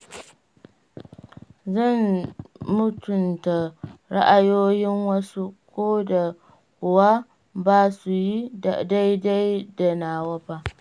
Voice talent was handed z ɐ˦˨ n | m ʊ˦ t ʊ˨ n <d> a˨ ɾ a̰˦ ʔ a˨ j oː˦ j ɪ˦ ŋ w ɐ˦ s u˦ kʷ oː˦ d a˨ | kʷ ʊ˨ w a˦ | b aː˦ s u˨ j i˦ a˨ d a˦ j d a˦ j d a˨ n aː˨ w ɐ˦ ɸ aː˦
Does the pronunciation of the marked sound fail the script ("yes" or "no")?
yes